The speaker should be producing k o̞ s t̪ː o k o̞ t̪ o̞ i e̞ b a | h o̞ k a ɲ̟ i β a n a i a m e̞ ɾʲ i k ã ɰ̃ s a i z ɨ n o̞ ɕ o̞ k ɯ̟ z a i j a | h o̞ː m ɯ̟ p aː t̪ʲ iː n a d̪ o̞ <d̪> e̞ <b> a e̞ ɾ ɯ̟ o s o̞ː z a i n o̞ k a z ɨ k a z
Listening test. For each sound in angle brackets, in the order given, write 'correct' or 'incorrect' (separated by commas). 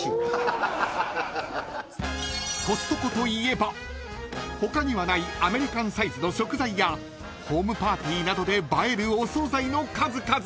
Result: correct, correct